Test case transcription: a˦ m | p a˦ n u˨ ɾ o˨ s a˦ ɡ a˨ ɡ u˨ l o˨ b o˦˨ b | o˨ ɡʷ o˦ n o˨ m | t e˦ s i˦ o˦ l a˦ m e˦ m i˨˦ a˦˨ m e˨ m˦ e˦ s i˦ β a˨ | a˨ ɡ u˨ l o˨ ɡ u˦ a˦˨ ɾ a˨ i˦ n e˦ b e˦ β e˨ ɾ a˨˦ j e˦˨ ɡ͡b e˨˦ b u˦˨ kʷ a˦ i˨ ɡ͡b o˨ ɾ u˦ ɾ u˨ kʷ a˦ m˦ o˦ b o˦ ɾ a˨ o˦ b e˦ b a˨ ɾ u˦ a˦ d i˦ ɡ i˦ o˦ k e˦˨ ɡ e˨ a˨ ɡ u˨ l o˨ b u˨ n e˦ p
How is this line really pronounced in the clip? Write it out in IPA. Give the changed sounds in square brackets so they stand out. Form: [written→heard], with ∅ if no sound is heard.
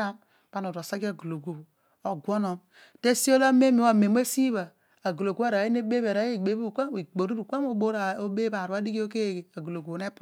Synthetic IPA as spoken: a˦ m | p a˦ n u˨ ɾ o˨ s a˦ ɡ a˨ ɡ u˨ l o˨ [b→ɡ] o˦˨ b | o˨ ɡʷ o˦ n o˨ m | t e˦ s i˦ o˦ l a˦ m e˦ m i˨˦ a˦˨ m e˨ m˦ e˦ s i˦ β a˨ | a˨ ɡ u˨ l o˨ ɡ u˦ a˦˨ ɾ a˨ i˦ n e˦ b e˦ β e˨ ɾ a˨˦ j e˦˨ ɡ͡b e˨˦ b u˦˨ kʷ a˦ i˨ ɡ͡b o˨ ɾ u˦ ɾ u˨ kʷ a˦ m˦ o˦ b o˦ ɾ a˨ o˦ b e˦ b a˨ ɾ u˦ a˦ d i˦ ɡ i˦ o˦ k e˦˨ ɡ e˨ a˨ ɡ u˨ l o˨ [b→ɡ] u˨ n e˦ p